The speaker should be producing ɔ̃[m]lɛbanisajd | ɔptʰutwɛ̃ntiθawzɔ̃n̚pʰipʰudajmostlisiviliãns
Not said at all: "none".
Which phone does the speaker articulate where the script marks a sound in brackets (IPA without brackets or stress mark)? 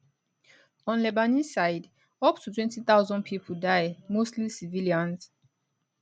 n